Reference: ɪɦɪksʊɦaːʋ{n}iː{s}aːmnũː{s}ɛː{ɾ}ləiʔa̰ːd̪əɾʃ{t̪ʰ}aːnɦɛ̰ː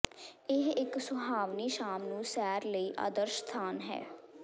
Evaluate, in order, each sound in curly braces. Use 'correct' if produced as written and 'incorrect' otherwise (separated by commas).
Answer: correct, incorrect, correct, correct, correct